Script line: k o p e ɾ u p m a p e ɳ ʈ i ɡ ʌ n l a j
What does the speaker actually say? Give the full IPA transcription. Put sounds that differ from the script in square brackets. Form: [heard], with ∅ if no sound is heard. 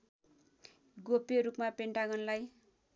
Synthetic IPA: [ɡ] o p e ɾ u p m a p e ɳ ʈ [a] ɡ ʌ n l a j